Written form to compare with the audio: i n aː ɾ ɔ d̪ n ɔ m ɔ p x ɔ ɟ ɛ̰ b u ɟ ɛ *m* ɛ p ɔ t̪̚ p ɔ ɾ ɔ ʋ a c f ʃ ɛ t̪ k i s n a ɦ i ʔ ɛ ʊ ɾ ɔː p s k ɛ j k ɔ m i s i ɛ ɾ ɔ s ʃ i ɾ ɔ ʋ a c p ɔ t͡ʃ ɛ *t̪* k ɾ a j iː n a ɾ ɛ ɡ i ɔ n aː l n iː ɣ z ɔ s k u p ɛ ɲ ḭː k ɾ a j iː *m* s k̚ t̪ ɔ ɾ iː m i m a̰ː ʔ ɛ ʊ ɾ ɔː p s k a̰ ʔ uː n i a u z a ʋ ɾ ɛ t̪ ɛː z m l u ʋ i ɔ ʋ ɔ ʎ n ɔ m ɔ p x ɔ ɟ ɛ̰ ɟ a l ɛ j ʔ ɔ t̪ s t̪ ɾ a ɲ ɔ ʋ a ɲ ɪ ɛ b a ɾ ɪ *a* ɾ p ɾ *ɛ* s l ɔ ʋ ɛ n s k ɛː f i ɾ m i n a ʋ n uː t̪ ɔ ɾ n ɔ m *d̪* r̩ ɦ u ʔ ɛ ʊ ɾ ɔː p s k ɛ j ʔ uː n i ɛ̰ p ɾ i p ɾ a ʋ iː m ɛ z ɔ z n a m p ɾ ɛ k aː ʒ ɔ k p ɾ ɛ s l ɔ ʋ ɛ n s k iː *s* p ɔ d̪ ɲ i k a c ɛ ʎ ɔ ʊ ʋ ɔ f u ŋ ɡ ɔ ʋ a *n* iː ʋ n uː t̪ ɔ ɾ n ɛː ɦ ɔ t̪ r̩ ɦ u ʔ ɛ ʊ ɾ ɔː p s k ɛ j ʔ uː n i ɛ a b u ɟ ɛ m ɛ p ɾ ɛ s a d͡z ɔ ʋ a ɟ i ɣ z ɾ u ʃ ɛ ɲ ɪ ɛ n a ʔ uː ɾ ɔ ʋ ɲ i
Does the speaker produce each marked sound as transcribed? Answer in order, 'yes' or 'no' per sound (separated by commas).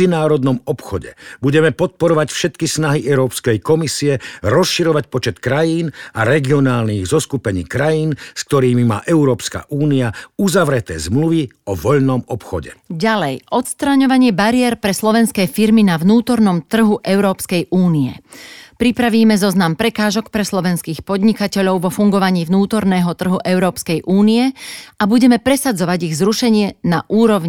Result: yes, yes, no, no, yes, no, no, no